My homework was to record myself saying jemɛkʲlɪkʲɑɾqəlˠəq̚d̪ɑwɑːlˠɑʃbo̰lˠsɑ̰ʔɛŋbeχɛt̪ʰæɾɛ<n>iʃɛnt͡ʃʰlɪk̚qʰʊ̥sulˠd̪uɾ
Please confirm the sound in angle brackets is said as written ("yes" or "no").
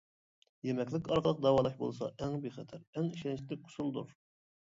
no